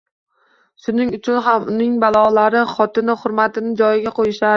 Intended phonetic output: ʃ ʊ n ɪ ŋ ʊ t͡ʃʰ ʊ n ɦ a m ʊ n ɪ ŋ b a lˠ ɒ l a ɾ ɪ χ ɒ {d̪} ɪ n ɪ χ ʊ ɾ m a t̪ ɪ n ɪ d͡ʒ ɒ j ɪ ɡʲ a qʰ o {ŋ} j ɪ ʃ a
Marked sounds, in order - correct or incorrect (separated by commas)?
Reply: incorrect, incorrect